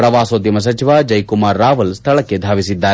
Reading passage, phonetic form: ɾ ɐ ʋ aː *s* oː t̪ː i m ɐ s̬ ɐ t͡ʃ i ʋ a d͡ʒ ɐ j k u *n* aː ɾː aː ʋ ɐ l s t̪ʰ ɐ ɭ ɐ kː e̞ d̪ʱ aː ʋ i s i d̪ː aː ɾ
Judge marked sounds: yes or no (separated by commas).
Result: yes, no